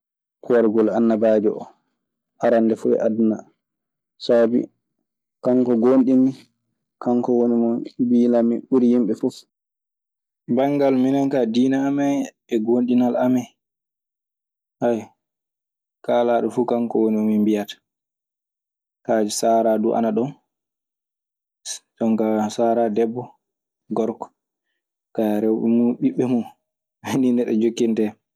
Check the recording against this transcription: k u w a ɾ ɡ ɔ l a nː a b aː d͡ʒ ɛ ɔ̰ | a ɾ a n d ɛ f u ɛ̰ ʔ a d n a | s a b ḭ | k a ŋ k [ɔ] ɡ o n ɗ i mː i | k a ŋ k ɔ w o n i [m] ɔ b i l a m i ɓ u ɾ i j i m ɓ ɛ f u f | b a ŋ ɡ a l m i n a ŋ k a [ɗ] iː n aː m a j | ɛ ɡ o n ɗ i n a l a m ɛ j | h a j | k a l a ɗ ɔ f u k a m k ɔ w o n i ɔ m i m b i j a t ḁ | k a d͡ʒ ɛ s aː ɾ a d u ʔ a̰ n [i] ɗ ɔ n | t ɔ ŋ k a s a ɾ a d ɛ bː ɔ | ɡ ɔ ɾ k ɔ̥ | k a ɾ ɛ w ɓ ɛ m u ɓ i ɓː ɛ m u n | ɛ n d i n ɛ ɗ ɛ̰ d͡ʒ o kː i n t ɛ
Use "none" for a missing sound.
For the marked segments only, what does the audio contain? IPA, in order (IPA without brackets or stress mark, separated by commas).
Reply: ɔ, m, d, a